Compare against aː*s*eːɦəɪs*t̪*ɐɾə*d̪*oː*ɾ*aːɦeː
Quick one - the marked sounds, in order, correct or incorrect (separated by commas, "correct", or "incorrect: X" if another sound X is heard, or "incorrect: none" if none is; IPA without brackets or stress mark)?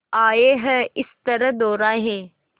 incorrect: none, correct, correct, correct